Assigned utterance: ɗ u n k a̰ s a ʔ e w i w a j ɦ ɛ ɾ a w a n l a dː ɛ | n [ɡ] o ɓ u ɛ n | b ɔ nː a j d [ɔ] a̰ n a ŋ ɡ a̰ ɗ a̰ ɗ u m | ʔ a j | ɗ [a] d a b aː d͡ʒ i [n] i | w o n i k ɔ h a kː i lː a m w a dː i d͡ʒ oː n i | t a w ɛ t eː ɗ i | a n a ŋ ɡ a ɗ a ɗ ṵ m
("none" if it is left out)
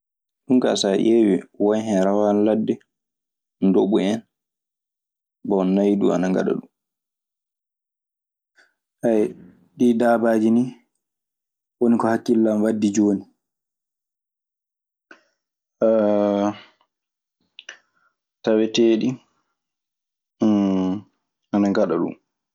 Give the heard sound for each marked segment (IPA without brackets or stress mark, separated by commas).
d, u, i, n